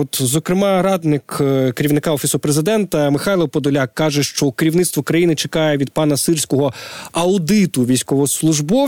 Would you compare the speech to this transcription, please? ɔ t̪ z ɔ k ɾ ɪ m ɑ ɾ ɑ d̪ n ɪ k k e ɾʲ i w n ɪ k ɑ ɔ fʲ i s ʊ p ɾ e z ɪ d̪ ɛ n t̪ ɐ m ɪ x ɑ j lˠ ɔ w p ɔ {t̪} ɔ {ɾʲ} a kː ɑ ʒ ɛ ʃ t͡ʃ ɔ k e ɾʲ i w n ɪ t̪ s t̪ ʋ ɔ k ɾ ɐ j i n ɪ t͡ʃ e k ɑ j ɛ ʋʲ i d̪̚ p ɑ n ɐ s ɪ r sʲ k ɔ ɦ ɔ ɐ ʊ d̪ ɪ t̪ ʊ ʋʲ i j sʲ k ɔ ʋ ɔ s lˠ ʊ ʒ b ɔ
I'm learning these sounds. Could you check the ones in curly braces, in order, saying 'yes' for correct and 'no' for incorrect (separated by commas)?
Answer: no, no